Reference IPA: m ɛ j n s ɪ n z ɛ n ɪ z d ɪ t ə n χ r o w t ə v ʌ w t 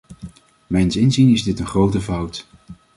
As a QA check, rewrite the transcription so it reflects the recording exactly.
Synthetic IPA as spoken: m ɛ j n s ɪ n z i n ɪ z d ɪ t ə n χ r o w t ə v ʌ w t